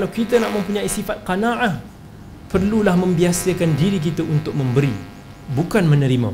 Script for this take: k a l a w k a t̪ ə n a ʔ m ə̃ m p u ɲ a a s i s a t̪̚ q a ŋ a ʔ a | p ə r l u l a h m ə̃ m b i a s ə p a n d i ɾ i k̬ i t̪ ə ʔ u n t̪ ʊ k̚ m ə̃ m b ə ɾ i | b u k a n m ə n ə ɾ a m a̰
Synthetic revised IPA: k a l a w k i t̪ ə n a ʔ m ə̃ m p u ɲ a i s i f a t̪̚ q a n a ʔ a | p ə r l u l a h m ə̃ m b i a s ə k a n d i ɾ i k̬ i t̪ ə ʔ u n t̪ ʊ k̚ m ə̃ m b ə ɾ i | b u k a n m ə n ə ɾ i m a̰